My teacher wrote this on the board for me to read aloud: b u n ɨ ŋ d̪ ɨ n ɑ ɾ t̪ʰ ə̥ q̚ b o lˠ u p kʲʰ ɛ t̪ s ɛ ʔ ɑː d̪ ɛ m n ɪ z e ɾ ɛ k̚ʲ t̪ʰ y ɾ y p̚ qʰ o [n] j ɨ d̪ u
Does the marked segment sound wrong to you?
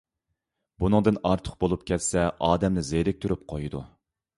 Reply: yes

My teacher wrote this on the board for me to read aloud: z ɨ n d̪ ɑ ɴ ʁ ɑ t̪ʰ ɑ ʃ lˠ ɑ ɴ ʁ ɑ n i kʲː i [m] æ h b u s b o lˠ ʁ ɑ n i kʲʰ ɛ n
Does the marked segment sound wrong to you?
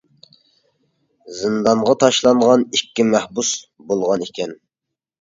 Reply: no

